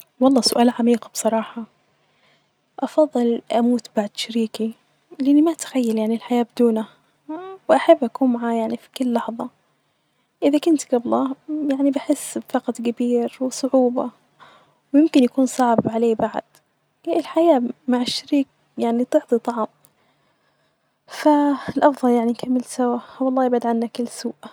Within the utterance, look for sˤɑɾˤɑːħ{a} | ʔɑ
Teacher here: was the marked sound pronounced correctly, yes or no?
no